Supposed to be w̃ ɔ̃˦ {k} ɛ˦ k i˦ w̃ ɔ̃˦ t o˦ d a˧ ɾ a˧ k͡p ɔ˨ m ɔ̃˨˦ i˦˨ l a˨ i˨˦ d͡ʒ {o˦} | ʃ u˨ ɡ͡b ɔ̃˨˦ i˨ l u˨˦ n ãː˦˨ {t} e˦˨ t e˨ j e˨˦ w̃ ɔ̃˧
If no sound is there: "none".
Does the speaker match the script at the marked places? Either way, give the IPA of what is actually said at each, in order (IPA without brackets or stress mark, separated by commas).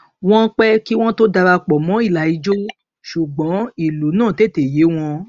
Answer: k͡p, o˦, t